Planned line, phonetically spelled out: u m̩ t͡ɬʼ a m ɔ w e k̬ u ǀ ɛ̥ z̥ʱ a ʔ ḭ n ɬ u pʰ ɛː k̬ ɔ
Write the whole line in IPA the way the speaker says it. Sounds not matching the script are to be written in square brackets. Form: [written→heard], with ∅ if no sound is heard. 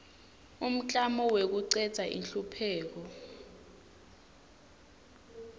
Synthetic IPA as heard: u m̩ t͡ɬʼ a m ɔ w e k̬ u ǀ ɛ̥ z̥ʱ a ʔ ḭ n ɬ u pʰ ɛː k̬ ɔ